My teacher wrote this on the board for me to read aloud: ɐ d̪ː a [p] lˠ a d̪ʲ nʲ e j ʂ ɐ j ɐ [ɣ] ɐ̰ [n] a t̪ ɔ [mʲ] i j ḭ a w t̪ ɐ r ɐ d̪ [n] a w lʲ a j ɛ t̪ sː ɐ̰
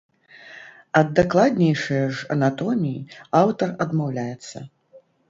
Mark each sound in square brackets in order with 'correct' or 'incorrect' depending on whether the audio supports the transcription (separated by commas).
incorrect, incorrect, correct, correct, incorrect